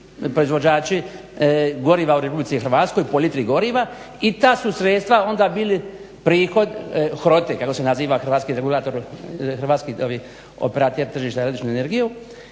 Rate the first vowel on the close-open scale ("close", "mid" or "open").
mid